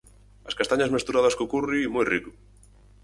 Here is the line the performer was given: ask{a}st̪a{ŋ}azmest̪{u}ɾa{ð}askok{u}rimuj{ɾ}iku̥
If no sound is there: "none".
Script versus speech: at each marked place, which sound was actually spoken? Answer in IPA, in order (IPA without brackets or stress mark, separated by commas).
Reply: a, ɲ, u, ð, u, r